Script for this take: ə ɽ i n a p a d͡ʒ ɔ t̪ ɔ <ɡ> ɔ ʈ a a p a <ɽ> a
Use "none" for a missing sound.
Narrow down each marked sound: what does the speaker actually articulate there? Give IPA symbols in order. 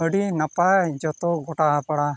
ɡ, ɽ

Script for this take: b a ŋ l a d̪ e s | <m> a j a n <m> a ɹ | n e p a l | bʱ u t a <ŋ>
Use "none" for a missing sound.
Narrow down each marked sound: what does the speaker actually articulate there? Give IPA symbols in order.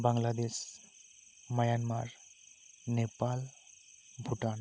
m, m, n

